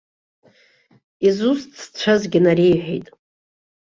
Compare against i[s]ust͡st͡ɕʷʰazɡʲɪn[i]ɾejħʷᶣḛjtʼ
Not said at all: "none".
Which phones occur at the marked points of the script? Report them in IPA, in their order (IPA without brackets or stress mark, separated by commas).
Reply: z, a